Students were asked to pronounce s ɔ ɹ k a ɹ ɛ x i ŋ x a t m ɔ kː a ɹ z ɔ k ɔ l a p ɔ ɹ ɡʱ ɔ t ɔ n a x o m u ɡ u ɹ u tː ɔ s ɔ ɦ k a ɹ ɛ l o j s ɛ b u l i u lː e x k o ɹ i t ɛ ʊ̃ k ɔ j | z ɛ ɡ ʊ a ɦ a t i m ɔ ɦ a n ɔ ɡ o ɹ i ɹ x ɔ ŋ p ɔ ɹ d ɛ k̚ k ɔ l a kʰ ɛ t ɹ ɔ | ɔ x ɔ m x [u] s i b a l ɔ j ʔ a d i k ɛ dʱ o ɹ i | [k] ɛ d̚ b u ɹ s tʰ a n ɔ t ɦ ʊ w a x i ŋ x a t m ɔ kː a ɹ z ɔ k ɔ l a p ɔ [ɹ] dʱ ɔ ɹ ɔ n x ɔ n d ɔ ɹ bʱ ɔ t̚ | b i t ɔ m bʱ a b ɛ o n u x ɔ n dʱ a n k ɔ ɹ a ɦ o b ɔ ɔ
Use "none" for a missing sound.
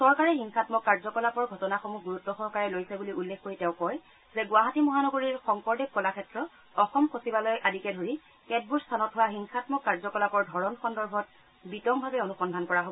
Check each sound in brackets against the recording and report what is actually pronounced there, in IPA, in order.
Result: o, k, ɹ

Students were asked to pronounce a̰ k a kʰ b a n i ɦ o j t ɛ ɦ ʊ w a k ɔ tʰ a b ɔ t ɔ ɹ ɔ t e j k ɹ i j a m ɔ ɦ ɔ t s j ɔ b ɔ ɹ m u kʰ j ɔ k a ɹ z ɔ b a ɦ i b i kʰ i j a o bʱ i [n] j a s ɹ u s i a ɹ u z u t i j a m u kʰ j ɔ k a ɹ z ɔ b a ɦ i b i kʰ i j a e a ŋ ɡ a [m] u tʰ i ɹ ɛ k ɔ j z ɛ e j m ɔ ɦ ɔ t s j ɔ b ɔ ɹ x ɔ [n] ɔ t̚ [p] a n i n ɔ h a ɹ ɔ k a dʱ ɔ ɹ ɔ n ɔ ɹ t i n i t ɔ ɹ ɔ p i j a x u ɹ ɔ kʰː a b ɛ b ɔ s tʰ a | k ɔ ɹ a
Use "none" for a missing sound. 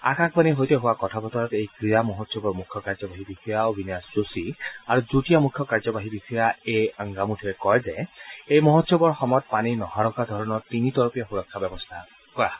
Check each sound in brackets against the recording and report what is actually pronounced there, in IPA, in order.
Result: n, m, m, p

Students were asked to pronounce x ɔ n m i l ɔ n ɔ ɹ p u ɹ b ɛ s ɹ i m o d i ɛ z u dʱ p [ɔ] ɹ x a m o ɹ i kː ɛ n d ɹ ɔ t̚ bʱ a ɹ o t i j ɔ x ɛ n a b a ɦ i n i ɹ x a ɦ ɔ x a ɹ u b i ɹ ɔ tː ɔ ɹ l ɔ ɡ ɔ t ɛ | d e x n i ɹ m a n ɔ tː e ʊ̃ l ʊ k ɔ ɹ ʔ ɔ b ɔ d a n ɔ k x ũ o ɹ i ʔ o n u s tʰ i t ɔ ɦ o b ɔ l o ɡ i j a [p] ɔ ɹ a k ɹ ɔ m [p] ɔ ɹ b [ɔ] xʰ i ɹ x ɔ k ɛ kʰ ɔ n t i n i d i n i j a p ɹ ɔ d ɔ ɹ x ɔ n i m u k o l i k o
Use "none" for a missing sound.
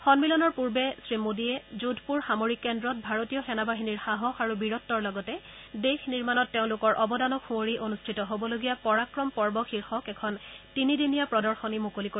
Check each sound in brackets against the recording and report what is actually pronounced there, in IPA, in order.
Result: u, p, p, ɔ

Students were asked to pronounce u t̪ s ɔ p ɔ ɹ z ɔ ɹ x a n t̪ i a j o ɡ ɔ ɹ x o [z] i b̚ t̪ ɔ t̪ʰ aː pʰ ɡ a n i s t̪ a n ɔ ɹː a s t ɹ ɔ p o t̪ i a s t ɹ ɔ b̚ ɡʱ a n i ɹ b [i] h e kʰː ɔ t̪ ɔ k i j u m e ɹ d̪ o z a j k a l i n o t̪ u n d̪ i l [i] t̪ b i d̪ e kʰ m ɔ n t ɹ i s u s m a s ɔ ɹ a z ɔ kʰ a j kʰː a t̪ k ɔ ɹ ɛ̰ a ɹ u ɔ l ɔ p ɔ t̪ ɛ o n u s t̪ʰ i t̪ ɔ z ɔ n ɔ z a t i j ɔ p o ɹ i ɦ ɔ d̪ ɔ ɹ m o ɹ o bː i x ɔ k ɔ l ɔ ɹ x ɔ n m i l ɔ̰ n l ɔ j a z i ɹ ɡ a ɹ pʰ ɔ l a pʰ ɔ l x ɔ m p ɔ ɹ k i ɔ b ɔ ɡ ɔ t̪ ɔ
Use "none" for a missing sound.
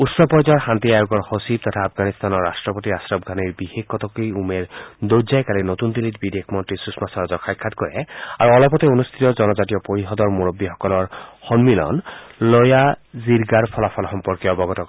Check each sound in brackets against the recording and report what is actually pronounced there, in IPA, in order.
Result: s, i, i

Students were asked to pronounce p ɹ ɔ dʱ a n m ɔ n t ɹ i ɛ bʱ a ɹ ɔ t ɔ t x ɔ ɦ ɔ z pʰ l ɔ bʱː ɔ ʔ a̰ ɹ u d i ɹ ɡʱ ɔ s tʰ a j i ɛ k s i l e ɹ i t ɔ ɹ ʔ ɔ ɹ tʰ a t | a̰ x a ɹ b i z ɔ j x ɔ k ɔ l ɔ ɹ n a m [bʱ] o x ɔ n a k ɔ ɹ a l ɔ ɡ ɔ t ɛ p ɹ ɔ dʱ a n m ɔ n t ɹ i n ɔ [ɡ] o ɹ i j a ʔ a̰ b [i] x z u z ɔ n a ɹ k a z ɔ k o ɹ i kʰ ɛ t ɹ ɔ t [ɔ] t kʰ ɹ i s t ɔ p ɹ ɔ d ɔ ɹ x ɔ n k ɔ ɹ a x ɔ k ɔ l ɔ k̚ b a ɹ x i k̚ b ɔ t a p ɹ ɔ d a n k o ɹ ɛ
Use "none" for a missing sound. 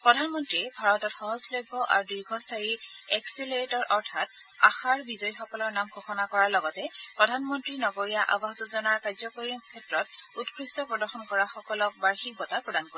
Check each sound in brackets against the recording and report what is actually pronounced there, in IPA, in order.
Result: ɡʱ, ɡ, a, u

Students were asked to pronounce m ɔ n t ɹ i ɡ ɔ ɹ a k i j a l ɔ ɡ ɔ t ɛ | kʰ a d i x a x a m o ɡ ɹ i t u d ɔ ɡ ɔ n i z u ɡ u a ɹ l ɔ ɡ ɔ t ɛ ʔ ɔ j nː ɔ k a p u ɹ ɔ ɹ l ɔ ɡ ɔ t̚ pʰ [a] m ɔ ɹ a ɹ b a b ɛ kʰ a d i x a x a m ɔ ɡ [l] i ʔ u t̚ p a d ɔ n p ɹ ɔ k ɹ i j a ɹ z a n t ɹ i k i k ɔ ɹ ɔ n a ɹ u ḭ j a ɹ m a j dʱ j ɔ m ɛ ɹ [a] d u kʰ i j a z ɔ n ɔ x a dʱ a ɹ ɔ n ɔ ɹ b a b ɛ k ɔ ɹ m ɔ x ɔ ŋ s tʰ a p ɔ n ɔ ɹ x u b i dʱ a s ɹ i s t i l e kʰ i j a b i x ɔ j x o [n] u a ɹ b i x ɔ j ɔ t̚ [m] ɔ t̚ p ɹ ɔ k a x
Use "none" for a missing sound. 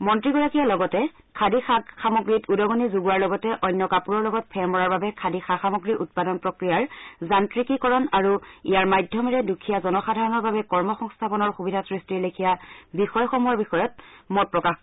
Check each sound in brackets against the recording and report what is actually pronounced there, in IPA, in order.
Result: ɛ, ɹ, ɛ, m, m

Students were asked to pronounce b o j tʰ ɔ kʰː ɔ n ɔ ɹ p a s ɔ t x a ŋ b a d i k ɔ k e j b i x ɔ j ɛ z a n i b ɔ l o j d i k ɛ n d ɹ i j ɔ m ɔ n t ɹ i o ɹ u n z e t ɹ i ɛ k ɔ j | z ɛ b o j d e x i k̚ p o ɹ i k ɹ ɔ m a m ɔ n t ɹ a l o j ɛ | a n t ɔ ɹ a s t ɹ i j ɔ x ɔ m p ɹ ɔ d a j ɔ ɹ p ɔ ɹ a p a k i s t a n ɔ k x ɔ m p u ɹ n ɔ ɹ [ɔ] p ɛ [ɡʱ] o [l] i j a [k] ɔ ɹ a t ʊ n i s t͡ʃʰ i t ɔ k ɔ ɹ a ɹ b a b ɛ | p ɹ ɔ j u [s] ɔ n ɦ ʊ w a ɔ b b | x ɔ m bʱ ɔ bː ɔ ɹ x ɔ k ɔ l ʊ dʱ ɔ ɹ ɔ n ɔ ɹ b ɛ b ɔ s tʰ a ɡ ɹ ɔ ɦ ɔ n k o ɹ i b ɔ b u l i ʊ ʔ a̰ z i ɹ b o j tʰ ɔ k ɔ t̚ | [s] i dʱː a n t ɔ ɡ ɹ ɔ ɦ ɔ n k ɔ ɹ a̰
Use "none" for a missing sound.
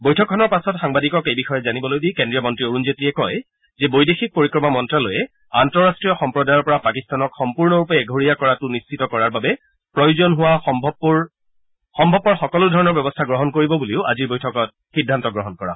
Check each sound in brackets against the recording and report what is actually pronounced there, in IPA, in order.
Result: u, ɡʱ, ɹ, k, z, x

